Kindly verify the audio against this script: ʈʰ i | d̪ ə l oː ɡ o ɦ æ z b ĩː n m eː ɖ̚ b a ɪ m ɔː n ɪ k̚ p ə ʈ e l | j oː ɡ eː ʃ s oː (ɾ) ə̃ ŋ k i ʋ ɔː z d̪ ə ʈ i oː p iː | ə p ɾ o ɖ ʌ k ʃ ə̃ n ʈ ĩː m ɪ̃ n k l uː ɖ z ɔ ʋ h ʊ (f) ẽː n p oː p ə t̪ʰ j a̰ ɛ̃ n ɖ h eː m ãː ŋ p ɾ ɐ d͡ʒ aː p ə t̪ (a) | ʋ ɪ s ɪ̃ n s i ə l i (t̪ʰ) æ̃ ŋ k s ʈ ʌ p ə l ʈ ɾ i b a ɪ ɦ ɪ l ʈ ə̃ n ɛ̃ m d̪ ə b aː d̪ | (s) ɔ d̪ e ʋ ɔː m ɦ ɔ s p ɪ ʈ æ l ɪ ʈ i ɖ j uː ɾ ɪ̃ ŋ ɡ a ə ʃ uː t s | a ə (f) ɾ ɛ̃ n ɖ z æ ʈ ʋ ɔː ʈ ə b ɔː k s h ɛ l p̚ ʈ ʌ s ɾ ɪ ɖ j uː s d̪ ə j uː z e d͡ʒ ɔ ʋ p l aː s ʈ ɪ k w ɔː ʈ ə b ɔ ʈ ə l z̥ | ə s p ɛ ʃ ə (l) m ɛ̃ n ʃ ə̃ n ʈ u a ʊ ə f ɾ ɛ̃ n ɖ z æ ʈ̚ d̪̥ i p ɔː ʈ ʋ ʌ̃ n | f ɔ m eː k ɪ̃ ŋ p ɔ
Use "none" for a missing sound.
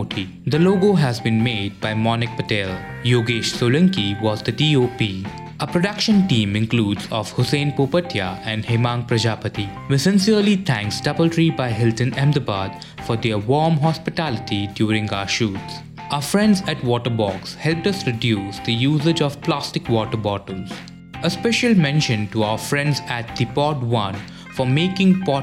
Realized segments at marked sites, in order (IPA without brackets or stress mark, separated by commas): l, s, i, t̪ʰ, f, f, l